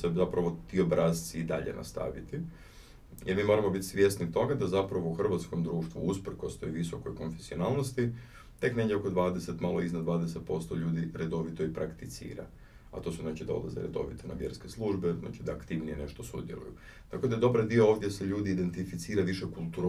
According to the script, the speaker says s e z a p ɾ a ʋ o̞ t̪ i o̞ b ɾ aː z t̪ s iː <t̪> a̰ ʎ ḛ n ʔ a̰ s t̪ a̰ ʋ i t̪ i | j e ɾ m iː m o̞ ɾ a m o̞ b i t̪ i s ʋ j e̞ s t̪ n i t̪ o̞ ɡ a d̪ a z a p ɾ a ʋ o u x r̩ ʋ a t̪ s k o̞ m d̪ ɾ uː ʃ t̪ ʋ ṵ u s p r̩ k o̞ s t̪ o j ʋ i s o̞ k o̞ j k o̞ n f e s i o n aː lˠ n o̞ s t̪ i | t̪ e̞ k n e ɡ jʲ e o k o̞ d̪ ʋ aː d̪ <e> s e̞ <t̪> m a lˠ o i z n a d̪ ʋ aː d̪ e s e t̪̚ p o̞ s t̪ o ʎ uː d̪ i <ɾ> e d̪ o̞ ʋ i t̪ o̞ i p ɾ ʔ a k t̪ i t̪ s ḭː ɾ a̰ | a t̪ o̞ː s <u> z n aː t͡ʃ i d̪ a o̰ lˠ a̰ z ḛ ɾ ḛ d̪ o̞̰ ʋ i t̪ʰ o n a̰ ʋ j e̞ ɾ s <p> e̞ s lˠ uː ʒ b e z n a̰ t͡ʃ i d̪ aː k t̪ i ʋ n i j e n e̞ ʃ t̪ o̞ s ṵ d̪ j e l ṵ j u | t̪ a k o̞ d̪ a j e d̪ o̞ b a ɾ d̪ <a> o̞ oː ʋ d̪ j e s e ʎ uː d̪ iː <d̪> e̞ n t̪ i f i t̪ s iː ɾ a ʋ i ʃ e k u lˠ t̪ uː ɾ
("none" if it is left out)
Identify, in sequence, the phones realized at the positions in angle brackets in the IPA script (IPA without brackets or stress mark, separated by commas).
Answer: d̪, e, t̪, ɾ, u, k, i, d̪